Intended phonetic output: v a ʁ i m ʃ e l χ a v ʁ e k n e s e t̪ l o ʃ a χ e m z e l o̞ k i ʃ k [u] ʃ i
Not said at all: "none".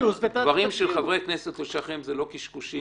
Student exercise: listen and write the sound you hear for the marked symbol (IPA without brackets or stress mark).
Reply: u